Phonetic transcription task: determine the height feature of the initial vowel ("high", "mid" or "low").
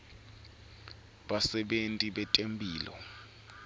low